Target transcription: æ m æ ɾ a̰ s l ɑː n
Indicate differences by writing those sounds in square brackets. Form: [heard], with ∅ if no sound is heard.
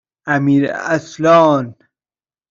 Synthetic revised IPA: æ m [i] ɾ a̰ s l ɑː n